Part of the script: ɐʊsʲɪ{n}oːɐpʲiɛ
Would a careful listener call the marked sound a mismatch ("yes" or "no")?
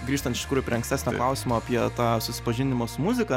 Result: yes